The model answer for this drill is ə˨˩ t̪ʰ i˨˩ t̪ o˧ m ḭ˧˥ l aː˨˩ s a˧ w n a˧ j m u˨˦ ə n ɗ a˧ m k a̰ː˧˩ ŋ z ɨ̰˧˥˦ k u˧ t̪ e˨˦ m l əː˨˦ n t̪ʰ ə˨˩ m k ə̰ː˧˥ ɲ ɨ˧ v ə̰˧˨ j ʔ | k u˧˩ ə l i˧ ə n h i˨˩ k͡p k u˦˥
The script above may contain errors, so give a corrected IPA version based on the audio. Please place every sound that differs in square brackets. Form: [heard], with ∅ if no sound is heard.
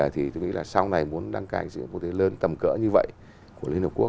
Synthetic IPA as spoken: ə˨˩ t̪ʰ i˨˩ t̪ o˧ [ŋ] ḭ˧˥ l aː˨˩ s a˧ w n [a˨˩] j m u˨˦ ə n ɗ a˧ [ŋ] k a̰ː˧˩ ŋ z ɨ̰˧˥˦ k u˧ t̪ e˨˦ [∅] l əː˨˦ n [t̪] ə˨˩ m k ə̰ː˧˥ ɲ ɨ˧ v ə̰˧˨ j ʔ | k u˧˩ ə l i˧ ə n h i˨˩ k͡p k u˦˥